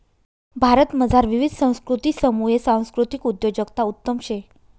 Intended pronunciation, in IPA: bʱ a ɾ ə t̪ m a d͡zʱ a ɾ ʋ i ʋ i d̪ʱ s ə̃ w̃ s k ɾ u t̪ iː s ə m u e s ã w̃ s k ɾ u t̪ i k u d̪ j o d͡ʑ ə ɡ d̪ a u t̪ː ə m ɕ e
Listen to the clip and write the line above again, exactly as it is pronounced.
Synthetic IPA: bʱ a ɾ ə t̪ m ə d͡zʱ a ɾ ʋ i ʋ i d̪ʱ s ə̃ w̃ s k ɾ u t̪ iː s ə m u e s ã w̃ s k ɾ u t̪ i k u d̪ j o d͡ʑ ə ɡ t̪ a u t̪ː ə m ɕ e